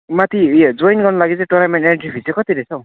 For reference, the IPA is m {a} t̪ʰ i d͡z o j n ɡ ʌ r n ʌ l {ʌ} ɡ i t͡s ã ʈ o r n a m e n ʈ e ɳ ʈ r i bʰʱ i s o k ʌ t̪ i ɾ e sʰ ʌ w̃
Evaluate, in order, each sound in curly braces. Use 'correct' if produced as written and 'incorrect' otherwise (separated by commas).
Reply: correct, incorrect